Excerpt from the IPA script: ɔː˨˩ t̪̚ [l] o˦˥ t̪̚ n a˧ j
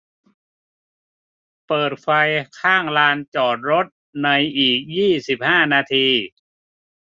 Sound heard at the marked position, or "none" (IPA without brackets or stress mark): ɾ